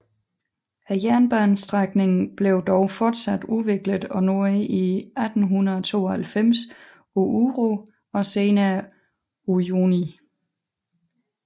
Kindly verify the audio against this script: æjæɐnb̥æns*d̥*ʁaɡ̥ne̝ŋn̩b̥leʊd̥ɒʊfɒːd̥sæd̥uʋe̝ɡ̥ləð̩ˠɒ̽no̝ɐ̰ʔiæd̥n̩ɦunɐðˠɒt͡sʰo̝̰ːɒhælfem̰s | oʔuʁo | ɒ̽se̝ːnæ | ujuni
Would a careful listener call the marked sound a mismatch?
no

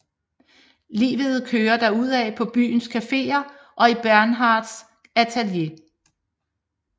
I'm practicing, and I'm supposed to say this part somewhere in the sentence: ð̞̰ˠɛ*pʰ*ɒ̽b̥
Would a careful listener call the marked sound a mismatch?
no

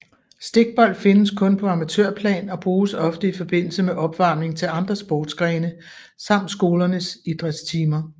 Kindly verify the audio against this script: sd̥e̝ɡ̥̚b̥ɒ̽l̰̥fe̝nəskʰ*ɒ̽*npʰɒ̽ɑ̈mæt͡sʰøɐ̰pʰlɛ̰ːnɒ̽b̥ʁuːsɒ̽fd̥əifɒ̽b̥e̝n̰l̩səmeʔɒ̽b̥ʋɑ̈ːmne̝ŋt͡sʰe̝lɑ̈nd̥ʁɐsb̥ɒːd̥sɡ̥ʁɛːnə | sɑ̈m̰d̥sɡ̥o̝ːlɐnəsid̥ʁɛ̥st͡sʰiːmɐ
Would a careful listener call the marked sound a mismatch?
yes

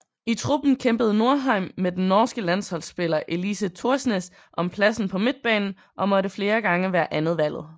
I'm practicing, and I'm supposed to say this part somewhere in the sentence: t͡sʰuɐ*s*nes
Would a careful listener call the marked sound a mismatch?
no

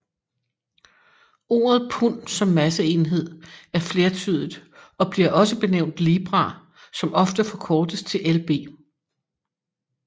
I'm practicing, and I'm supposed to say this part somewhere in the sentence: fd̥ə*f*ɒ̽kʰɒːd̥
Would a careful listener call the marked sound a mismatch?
no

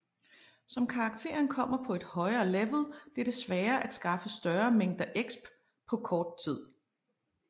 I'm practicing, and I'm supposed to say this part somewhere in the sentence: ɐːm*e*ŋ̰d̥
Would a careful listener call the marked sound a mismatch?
no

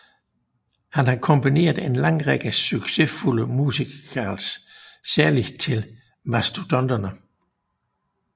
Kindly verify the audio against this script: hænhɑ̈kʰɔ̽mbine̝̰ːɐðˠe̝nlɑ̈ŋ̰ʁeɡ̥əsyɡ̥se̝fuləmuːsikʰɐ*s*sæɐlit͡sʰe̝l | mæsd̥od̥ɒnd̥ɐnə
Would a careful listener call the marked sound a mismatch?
no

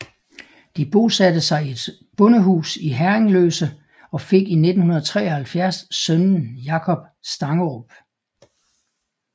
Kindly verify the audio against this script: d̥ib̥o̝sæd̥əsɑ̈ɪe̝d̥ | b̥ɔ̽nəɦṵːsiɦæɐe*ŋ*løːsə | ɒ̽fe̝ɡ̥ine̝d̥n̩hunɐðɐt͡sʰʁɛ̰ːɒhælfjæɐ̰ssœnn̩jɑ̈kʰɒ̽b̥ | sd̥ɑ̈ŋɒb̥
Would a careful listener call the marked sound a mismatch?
no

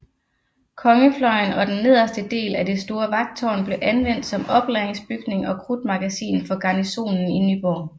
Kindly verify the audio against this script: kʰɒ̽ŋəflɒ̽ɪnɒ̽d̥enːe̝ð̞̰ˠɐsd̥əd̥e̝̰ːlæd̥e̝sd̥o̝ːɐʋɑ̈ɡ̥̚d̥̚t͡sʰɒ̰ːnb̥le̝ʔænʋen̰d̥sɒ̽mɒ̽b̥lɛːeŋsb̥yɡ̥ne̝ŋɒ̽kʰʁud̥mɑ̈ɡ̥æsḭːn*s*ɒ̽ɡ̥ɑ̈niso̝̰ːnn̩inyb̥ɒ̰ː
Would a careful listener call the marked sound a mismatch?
yes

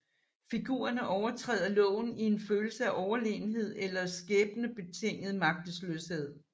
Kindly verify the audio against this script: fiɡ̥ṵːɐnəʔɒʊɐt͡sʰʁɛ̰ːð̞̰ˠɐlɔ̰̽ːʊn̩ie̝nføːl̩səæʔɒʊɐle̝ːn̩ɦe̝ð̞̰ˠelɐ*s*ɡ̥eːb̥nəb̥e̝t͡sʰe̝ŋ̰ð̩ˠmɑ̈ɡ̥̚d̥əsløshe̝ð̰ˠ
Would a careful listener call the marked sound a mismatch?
no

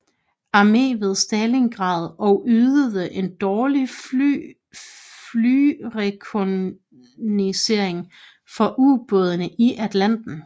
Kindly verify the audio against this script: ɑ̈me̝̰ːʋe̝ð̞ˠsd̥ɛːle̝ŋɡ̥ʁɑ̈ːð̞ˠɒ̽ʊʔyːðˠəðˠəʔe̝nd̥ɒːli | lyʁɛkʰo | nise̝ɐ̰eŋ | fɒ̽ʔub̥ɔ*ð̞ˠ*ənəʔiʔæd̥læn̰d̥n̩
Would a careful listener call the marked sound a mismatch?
no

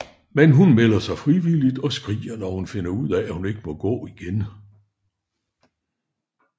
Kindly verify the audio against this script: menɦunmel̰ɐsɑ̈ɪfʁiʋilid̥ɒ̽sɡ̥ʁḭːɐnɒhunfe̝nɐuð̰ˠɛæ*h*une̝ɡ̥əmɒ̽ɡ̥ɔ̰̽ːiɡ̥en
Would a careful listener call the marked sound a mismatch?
no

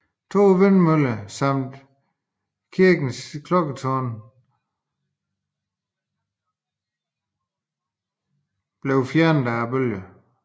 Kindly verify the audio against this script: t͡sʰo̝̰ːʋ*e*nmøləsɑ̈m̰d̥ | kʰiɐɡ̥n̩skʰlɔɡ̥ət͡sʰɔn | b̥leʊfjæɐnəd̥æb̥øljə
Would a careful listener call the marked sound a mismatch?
no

